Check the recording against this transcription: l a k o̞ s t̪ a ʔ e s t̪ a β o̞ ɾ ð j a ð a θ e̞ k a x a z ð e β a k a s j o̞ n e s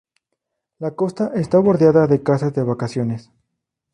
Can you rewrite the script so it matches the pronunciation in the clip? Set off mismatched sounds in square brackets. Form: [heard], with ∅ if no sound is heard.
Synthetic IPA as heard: l a k o̞ s t̪ a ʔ e s t̪ a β o̞ ɾ ð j a ð a [ð] e̞ k a [s] a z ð e β a k a s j o̞ n e s